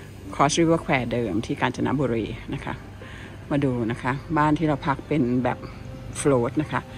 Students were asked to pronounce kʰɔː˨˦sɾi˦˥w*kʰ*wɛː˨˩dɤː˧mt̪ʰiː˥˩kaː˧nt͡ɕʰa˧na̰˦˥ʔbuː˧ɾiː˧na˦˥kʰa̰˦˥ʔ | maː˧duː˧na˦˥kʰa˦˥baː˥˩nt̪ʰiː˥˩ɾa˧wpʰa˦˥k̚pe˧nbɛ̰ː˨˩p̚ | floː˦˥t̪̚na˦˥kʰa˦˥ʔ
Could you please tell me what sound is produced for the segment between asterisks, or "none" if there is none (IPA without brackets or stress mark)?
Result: kʰ